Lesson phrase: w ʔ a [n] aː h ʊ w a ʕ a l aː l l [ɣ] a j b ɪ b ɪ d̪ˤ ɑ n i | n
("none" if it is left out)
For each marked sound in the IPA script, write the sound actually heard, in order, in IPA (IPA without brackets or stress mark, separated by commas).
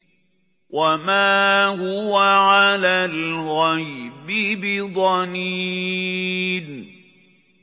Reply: m, ɣ